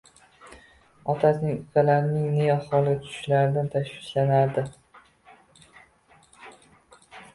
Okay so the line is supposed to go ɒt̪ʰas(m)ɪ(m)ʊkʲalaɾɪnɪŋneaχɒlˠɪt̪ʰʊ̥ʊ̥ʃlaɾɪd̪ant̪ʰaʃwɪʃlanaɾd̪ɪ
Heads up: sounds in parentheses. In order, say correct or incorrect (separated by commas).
incorrect, incorrect